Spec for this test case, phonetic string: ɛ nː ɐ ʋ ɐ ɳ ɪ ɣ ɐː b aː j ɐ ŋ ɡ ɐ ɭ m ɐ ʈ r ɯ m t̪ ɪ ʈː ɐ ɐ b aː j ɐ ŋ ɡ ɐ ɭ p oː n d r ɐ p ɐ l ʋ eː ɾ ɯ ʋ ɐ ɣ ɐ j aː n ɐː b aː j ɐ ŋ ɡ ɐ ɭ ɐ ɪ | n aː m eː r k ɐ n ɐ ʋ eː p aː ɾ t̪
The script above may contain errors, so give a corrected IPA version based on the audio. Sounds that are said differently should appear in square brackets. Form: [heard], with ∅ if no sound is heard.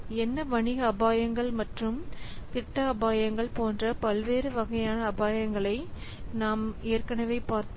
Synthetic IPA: ɛ nː ɐ ʋ ɐ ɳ ɪ ɣ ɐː b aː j ɐ ŋ ɡ ɐ ɭ m ɐ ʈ r ɯ m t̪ ɪ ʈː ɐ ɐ b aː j ɐ ŋ ɡ ɐ ɭ p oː n d r ɐ p ɐ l ʋ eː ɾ ɯ ʋ ɐ ɣ ɐ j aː n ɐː b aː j ɐ ŋ ɡ ɐ ɭ ɐ ɪ | n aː m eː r k ɐ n ɐ ʋ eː p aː ɾ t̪